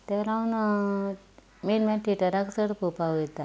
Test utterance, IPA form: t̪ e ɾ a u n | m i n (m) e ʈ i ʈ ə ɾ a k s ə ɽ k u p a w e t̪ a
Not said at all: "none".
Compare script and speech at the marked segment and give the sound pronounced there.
m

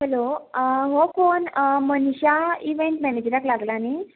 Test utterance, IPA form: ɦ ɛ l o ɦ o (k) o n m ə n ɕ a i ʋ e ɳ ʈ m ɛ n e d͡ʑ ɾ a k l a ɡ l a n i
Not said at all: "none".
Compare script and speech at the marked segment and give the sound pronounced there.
k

